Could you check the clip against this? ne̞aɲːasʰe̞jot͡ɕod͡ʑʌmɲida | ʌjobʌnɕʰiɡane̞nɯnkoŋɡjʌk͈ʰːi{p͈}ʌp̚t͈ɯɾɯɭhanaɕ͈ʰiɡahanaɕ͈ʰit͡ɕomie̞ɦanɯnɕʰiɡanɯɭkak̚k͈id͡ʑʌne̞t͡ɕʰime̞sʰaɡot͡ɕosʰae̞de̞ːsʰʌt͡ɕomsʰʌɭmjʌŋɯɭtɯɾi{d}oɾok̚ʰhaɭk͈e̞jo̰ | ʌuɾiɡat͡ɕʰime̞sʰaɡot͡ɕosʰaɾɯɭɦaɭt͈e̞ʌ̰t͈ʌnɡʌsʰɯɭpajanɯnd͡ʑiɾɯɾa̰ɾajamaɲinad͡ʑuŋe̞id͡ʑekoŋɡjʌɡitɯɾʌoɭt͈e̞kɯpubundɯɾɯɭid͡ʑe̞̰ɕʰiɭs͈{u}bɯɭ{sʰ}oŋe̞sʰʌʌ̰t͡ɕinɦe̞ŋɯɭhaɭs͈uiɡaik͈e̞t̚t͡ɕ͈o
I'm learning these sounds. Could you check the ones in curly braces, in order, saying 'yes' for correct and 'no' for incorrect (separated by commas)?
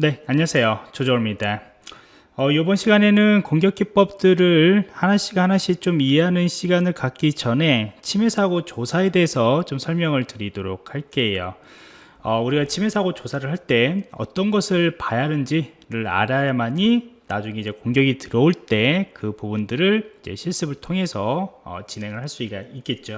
yes, yes, no, no